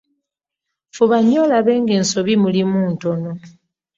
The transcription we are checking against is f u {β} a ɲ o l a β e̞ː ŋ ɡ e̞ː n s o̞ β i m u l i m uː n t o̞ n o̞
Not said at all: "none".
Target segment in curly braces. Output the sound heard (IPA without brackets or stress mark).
β